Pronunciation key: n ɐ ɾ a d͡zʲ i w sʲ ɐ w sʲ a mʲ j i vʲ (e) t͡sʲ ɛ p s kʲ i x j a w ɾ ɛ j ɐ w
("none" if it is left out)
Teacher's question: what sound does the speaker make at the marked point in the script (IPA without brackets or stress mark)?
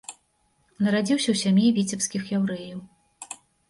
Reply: i